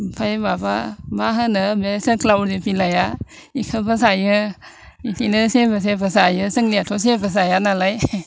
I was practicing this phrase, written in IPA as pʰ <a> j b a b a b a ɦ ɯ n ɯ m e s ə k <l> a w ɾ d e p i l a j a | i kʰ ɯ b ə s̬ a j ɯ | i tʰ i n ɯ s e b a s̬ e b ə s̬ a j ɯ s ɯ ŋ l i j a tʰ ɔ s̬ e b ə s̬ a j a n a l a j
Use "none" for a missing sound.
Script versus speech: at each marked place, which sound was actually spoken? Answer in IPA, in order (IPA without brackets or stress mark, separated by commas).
a, l